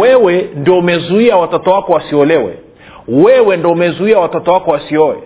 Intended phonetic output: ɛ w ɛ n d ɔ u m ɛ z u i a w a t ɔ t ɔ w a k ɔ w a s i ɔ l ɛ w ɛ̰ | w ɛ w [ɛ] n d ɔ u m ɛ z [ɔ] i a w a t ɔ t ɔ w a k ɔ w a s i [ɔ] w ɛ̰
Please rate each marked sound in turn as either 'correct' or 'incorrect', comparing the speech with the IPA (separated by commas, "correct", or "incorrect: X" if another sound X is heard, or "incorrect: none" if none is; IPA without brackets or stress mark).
correct, incorrect: u, correct